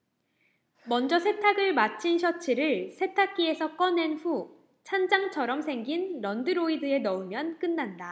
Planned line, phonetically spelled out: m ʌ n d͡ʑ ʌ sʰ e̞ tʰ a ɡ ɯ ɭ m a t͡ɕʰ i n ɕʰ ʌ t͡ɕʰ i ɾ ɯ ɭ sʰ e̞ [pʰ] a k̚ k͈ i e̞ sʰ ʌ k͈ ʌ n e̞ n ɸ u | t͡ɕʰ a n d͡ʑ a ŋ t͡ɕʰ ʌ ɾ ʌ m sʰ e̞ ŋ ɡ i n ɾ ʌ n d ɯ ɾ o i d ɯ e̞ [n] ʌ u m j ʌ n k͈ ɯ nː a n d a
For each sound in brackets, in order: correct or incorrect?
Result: incorrect: tʰ, correct

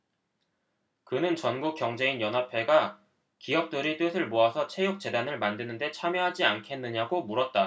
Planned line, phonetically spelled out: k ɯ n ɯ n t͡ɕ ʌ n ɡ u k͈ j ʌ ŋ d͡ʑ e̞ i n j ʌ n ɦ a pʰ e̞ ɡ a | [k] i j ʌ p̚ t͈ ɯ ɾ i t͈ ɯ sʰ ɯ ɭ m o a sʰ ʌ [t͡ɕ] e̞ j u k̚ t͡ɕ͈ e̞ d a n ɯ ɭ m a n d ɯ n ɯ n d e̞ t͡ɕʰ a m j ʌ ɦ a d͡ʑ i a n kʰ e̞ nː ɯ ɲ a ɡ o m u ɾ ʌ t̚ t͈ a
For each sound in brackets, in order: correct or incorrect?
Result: correct, incorrect: t͡ɕʰ

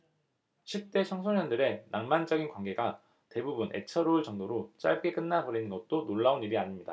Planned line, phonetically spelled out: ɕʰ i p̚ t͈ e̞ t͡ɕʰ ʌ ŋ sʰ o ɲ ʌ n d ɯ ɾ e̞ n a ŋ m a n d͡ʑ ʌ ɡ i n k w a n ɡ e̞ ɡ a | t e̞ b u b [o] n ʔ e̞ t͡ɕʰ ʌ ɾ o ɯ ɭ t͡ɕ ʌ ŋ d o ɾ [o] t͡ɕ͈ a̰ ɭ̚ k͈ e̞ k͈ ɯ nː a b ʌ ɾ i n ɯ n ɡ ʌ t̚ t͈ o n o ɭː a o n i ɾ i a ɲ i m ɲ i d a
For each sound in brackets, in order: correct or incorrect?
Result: incorrect: u, correct

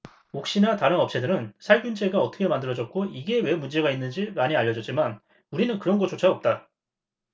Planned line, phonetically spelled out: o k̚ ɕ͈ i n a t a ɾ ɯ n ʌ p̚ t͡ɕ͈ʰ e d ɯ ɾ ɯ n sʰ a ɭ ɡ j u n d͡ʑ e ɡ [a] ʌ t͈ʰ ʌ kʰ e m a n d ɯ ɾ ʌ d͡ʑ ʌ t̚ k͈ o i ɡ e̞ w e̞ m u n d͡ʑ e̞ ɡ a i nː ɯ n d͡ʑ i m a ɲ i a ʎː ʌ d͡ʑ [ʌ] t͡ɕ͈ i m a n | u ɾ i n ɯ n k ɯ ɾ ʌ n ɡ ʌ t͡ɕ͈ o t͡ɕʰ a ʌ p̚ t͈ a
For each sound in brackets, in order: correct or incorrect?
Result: correct, correct

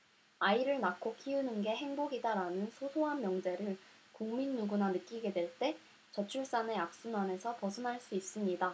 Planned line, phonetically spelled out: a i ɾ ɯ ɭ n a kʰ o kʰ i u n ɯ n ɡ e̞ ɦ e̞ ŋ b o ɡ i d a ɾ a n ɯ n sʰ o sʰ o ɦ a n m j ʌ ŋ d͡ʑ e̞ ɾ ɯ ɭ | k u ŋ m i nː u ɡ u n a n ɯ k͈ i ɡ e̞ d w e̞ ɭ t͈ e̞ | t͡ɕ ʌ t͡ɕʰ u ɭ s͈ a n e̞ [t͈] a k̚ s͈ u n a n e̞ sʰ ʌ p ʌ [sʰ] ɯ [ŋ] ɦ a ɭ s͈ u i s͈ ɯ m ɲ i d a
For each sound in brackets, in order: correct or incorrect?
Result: incorrect: none, correct, incorrect: n

